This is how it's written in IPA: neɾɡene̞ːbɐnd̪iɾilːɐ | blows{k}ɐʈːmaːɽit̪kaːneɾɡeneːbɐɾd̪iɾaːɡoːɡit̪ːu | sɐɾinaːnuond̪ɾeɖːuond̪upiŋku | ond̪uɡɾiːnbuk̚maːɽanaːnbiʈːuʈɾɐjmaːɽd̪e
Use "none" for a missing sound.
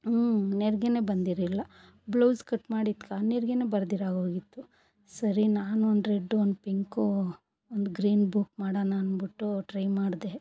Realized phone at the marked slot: k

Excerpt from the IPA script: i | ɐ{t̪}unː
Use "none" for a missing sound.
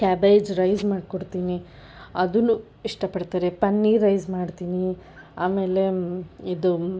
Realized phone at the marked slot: d̪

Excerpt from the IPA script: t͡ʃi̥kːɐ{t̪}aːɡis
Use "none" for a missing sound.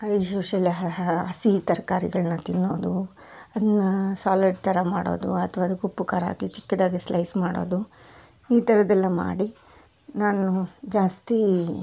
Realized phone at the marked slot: d̪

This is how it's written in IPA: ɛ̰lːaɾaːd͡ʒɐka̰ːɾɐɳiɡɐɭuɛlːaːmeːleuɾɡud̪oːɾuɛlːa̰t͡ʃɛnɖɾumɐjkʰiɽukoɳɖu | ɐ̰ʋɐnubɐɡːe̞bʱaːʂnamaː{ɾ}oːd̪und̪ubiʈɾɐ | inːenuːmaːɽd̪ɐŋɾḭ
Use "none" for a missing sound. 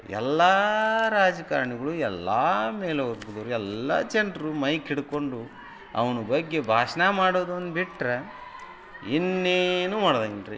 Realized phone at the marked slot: ɽ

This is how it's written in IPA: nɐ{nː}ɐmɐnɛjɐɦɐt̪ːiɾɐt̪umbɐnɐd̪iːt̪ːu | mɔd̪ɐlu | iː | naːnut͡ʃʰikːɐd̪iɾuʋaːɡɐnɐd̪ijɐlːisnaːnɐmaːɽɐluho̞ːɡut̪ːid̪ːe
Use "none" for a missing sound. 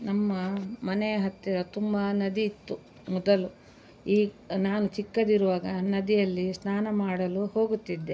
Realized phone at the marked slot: mː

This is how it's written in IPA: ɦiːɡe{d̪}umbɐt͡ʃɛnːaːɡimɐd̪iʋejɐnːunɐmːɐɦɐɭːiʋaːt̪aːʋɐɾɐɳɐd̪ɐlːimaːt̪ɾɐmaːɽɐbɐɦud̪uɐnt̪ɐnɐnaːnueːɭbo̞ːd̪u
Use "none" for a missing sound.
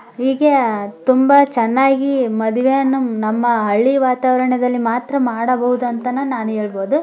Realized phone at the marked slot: t̪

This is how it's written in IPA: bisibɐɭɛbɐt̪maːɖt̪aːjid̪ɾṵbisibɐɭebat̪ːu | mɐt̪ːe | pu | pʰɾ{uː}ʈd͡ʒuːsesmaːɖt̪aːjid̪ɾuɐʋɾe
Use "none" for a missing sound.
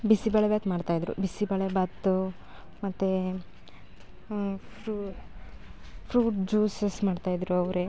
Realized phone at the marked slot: uː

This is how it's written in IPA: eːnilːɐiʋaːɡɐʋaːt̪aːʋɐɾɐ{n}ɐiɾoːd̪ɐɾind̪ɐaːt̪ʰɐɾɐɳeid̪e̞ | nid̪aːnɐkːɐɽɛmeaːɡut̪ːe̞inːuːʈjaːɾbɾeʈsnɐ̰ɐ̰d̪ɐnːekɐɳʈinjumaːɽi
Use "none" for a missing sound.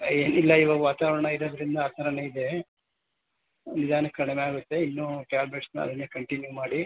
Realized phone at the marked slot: ɳ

